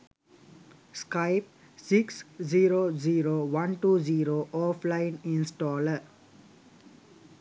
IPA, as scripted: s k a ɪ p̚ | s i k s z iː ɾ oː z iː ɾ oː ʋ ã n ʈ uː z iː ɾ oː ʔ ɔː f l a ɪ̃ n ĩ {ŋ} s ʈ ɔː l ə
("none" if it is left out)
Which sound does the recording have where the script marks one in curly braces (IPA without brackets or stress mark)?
n